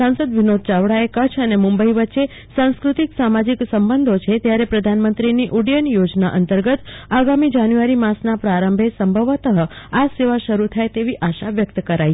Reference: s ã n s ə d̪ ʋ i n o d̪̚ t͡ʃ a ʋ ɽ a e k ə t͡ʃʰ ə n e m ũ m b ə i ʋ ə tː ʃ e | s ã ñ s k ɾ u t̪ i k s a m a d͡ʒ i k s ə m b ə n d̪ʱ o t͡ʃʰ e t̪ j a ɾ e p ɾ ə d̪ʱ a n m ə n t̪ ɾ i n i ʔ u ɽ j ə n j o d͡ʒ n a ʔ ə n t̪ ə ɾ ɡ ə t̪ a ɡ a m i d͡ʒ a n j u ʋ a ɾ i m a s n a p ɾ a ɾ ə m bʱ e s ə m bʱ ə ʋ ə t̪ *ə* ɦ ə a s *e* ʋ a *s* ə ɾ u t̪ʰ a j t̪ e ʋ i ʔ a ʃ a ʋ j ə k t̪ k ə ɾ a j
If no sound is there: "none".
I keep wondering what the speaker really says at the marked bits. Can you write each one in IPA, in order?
ə, e, ʃ

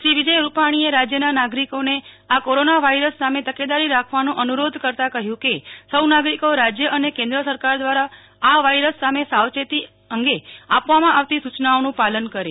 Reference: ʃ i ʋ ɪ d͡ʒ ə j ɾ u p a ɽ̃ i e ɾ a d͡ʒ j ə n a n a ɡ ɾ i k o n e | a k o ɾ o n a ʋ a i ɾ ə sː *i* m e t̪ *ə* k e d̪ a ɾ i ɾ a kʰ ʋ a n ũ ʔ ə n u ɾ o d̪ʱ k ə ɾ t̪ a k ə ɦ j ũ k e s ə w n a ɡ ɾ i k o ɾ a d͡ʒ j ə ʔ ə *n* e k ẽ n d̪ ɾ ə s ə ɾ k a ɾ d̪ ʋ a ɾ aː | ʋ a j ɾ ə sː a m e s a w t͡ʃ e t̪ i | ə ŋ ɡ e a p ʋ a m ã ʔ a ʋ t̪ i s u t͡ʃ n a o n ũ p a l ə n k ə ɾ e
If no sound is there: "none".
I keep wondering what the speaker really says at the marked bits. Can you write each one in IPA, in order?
a, ə, n

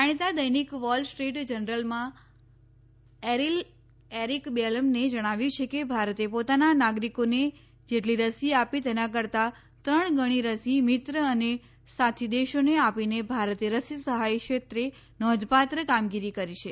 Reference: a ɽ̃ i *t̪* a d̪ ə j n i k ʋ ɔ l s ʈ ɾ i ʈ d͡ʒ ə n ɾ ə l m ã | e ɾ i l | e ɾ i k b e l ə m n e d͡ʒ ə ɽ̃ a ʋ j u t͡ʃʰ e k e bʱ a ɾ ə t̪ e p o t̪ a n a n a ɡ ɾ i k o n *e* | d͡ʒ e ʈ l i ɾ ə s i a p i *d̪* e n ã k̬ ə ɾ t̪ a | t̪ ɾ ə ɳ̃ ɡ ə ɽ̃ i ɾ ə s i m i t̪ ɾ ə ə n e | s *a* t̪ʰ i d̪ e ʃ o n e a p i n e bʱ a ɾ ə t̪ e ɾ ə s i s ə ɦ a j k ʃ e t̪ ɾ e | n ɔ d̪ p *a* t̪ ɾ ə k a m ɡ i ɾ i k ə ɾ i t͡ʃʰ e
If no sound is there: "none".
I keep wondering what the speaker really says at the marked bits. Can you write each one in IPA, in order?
t̪, e, t̪, a, a

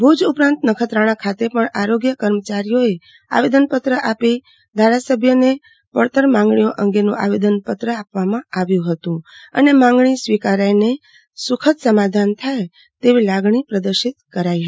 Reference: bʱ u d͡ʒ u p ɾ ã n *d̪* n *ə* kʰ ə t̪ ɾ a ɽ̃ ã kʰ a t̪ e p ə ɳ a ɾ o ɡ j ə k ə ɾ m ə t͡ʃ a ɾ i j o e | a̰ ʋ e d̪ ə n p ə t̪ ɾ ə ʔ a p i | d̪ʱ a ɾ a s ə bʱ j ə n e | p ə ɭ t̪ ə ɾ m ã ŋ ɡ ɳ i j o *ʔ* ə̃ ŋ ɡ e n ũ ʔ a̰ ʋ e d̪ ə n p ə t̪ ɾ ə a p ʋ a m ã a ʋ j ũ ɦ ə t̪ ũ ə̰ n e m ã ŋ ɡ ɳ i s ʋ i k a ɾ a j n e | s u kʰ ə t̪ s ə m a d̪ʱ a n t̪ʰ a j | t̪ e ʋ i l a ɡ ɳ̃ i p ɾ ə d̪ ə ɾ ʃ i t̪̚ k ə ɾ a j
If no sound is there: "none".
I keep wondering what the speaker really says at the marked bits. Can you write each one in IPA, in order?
t̪, ə, ʔ

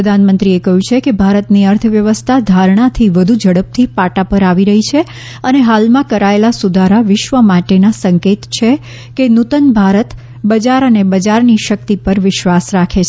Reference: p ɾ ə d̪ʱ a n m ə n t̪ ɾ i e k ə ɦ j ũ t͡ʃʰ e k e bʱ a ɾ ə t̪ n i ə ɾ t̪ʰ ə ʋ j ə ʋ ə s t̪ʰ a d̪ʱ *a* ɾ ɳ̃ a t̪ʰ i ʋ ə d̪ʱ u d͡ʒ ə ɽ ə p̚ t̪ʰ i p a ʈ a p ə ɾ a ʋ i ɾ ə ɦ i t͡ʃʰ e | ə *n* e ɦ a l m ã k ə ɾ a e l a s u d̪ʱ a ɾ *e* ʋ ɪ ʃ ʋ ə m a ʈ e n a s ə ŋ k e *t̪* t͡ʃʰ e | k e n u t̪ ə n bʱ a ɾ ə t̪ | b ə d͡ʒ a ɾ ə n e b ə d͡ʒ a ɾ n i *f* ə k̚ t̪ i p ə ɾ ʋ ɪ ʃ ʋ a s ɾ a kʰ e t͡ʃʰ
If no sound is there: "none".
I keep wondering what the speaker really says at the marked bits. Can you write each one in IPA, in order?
a, n, a, t̪, ʃ

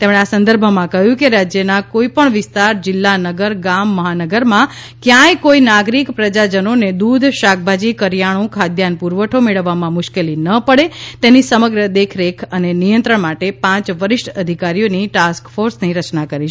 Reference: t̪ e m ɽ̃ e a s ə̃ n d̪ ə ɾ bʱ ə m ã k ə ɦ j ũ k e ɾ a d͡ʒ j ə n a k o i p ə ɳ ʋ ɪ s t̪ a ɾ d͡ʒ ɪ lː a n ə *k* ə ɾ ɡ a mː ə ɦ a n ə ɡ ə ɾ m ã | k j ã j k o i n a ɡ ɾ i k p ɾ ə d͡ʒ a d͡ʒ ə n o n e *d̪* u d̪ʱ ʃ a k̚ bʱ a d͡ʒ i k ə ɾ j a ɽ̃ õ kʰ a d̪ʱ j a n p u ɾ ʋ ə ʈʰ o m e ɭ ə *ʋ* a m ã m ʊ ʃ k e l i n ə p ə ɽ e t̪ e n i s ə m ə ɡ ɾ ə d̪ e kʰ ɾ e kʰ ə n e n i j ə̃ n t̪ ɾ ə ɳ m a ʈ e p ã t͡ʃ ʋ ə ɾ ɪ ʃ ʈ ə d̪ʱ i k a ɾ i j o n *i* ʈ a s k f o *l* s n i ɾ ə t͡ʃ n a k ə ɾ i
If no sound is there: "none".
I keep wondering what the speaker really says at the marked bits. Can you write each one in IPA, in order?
ɡ, d̪, ʋː, i, ɾ

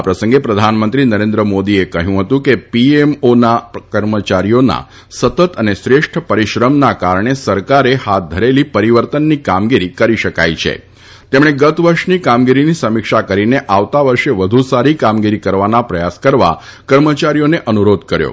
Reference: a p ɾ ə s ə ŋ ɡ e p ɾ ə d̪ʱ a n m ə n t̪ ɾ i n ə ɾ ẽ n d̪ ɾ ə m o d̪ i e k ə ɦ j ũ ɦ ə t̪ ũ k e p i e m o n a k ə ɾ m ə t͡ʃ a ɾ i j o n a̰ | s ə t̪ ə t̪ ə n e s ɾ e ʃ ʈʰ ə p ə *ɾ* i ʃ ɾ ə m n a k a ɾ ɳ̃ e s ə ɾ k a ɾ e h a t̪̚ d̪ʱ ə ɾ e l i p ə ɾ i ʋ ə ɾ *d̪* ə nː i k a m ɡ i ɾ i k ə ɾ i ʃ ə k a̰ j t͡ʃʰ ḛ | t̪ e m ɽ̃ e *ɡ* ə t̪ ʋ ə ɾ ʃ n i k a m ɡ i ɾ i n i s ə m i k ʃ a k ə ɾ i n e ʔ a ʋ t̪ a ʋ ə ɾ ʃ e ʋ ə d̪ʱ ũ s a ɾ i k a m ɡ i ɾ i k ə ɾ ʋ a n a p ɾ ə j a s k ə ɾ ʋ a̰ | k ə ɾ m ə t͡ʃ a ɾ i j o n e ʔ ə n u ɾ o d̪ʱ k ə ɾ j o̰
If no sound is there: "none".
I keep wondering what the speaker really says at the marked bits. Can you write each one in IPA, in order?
ɾ, t̪, ɡ

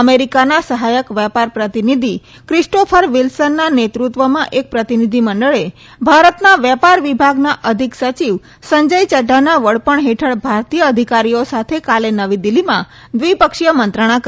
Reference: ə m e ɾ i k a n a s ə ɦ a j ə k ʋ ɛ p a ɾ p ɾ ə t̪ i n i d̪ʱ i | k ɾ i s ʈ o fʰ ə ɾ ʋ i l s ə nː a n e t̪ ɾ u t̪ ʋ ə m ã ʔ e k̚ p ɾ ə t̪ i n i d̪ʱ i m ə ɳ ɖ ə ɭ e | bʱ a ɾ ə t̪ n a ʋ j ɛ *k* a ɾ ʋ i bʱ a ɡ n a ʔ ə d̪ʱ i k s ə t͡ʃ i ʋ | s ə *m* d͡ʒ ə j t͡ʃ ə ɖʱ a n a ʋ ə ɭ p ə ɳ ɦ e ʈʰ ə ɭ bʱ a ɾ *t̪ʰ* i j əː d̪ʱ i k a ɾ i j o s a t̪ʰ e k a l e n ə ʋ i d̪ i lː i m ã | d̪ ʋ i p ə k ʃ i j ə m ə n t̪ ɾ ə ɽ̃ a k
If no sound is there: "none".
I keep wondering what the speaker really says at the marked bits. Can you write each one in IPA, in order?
p, ɲ, t̪

